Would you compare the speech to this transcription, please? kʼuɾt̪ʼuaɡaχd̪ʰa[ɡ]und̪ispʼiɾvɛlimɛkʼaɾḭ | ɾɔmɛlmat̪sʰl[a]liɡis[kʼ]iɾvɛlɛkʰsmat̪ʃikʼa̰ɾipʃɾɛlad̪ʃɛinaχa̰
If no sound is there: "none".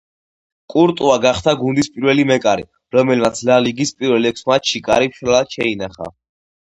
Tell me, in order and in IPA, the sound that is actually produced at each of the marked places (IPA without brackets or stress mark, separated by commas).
ɡ, a, pʼ